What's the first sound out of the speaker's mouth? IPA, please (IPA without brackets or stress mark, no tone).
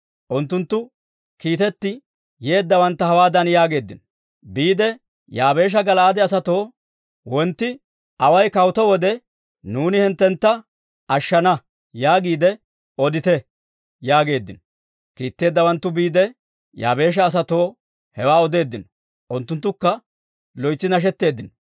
ʔ